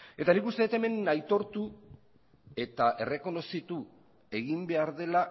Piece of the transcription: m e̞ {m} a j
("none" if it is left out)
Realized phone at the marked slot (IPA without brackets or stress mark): n